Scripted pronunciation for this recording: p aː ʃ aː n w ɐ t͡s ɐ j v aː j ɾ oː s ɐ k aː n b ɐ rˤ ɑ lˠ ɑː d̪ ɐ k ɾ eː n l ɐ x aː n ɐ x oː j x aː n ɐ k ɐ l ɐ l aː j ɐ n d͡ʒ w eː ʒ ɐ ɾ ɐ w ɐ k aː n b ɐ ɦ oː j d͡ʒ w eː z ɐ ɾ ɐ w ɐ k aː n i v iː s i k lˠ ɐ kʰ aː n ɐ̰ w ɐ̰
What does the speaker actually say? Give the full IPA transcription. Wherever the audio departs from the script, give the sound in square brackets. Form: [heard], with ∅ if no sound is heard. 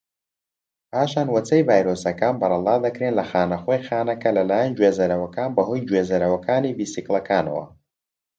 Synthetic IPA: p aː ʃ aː n w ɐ t͡s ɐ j v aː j ɾ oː s ɐ k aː n b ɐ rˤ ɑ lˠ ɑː d̪ ɐ k ɾ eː n l ɐ x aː n ɐ x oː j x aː n ɐ k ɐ l ɐ l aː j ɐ n d͡ʒ w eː [z] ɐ ɾ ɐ w ɐ k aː n b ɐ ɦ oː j d͡ʒ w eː z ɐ ɾ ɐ w ɐ k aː n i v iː s i k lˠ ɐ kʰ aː n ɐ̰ w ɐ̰